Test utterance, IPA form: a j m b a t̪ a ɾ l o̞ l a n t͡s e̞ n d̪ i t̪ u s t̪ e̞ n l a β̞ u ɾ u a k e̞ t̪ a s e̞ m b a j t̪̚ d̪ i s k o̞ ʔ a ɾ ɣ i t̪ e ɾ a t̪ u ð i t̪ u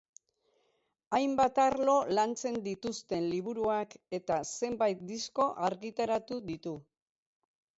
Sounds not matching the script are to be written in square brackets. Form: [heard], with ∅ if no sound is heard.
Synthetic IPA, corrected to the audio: a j m b a t̪ a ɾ l o̞ l a n t͡s e̞ n d̪ i t̪ u s t̪ e̞ n l [i] β̞ u ɾ u a k e̞ t̪ a s e̞ m b a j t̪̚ d̪ i s k o̞ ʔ a ɾ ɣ i t̪ [a] ɾ a t̪ u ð i t̪ u